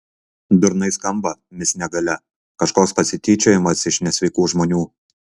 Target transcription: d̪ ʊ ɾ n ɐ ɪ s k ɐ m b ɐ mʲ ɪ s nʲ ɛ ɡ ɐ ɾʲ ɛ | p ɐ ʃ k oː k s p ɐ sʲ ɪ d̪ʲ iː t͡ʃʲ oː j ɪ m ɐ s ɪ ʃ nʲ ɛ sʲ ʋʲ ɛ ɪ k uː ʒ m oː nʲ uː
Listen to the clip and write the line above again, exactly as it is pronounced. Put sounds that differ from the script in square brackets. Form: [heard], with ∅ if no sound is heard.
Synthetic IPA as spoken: d̪ ʊ ɾ n ɐ ɪ s k ɐ m b ɐ mʲ ɪ s nʲ ɛ ɡ ɐ [lʲ] ɛ | [k] ɐ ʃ k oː k s p ɐ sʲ ɪ [t̪ʲ] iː t͡ʃʲ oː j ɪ m ɐ s ɪ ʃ nʲ ɛ sʲ ʋʲ ɛ ɪ k uː ʒ m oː nʲ uː